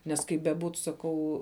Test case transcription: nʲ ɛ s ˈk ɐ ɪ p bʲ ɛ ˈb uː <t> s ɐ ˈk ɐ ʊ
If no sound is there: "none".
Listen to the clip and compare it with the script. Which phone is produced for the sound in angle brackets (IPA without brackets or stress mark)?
t